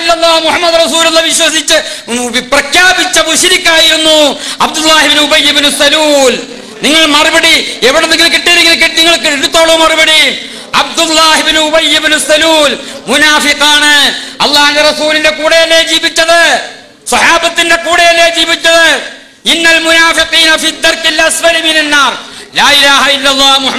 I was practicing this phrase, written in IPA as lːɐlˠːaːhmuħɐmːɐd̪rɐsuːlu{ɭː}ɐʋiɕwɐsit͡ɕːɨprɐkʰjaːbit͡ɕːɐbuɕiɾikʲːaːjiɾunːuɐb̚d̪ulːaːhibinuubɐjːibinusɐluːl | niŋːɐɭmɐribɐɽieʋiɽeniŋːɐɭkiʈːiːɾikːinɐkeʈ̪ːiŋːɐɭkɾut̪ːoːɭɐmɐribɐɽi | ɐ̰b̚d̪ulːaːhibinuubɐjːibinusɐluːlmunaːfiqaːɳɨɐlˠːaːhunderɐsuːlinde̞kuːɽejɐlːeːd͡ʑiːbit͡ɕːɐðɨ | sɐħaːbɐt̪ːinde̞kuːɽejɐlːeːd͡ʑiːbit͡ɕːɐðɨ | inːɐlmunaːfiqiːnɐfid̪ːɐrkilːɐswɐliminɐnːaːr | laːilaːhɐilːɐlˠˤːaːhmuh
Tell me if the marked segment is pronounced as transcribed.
no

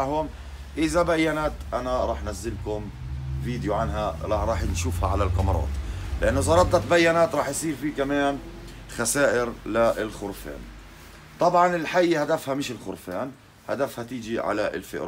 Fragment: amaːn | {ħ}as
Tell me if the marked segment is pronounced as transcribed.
no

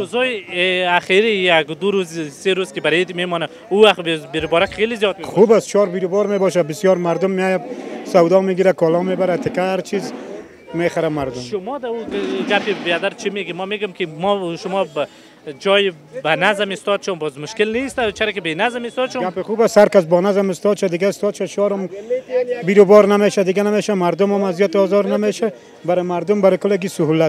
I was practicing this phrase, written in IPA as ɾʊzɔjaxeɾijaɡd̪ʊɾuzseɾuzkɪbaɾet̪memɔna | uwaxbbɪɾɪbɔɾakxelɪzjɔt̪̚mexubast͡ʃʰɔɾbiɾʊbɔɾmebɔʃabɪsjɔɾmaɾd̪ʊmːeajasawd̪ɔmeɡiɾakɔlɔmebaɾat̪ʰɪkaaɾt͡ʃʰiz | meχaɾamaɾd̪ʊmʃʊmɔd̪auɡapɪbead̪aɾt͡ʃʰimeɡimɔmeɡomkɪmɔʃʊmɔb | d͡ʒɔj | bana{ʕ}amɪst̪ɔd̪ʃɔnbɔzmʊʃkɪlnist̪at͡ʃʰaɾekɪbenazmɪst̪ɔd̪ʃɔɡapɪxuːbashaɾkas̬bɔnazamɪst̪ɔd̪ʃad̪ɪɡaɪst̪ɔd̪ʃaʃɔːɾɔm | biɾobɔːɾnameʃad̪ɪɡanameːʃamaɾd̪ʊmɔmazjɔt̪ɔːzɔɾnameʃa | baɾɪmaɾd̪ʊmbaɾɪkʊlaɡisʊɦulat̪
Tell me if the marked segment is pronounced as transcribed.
no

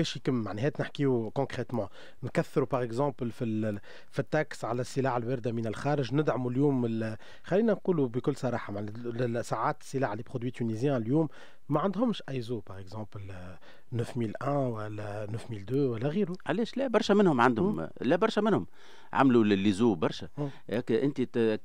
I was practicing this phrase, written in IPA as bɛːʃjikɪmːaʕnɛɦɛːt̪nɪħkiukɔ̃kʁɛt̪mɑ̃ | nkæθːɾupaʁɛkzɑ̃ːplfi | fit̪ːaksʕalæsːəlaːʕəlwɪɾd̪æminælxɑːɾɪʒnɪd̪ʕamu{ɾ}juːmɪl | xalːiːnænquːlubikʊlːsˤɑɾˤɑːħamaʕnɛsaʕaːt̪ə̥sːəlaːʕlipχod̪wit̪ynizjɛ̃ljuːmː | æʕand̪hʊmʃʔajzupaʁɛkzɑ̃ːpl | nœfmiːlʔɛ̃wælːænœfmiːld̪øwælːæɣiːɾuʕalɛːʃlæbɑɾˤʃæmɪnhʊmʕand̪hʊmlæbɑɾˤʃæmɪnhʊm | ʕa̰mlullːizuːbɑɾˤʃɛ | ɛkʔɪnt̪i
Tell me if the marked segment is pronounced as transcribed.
no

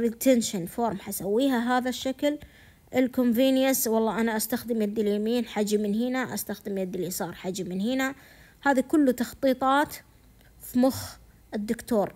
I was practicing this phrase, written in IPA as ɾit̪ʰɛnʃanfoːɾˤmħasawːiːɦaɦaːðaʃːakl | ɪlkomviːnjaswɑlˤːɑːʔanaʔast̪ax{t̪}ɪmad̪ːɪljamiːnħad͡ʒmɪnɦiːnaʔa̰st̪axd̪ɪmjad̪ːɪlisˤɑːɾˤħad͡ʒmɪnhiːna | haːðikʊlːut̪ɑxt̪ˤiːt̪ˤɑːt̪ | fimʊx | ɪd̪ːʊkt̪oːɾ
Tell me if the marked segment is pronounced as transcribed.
no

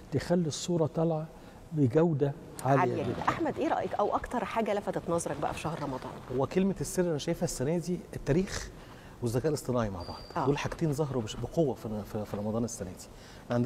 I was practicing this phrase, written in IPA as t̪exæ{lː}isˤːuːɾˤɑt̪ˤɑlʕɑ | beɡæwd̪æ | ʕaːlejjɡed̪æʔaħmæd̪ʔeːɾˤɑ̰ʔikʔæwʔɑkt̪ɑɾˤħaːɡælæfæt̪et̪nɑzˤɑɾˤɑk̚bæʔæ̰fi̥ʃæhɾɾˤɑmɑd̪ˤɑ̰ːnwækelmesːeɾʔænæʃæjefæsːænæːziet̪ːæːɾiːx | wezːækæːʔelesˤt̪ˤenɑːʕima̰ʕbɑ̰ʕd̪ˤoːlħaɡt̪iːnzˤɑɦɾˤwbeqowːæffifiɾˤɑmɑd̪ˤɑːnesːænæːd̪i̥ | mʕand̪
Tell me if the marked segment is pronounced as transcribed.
yes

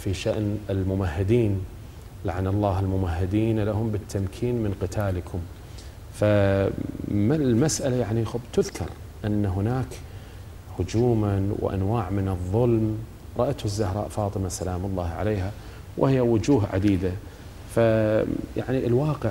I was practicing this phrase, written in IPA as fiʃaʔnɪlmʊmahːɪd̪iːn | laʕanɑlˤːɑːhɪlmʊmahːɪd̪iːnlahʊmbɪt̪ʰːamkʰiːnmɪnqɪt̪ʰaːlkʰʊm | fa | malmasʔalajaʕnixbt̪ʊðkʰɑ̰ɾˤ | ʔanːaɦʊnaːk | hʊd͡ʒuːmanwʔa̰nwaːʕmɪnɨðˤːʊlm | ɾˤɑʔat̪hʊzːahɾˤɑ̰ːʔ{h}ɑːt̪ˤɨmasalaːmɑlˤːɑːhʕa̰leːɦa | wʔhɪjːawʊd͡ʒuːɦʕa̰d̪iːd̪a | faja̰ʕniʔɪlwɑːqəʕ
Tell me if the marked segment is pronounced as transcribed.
no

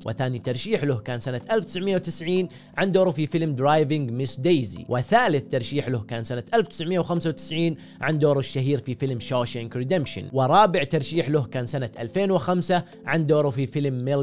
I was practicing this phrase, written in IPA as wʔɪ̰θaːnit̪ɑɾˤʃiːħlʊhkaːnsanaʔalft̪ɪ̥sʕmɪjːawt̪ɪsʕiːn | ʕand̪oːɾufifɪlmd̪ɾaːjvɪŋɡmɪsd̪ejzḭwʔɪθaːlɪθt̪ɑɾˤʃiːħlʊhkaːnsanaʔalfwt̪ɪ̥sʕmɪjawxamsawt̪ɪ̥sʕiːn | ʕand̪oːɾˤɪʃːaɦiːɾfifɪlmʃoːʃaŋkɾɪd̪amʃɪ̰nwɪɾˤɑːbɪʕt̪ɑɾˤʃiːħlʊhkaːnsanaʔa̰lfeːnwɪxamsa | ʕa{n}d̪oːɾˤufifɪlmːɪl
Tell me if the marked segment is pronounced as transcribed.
yes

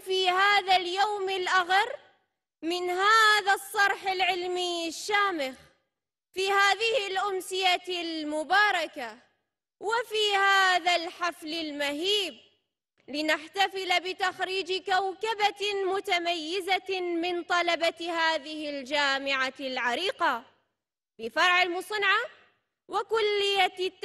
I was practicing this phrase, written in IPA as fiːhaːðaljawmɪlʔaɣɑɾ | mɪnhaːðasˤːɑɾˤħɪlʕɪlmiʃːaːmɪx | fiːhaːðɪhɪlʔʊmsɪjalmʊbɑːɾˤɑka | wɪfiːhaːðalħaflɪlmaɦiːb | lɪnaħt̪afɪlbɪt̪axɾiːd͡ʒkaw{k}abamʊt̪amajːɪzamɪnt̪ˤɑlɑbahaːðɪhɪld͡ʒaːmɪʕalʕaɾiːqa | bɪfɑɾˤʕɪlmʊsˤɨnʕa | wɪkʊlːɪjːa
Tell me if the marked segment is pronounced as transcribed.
yes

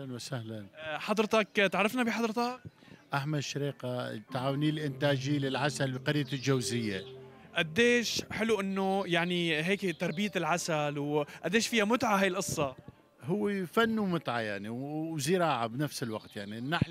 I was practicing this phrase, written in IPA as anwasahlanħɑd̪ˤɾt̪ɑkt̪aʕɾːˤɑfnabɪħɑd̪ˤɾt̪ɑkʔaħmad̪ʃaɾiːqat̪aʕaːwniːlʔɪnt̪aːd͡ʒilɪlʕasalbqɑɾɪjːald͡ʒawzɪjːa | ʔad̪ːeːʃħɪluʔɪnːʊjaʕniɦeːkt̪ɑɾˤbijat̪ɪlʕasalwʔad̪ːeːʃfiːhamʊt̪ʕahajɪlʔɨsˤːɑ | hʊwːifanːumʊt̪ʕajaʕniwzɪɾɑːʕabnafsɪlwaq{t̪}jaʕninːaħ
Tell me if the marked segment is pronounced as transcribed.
yes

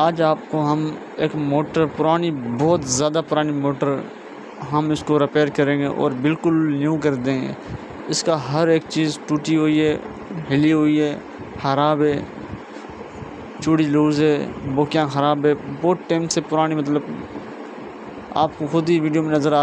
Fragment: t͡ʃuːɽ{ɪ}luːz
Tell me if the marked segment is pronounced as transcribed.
no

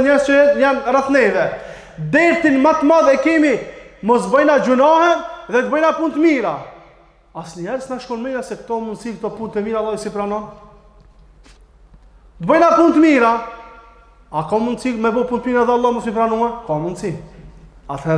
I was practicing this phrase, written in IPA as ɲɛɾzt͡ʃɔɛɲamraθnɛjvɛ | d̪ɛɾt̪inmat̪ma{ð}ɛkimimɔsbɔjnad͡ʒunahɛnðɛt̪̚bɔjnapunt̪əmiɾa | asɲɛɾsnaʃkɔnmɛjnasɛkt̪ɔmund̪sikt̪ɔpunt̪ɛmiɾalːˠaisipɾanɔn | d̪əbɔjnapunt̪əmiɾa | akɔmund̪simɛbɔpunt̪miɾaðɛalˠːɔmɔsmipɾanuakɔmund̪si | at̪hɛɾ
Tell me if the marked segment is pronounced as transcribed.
yes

